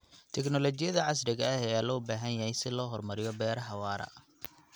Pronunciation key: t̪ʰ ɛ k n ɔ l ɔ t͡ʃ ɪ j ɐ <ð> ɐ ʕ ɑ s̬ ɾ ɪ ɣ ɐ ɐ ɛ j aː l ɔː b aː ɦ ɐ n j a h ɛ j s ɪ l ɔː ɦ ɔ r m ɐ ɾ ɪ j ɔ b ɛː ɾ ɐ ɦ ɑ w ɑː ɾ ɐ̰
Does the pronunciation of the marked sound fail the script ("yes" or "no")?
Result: no